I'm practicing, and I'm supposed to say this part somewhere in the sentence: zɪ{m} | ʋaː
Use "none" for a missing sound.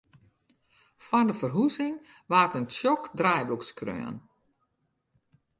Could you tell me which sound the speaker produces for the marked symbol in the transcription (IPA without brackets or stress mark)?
ŋ